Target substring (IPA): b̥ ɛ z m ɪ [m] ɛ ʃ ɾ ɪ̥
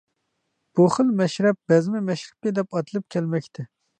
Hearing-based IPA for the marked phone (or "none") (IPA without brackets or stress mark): m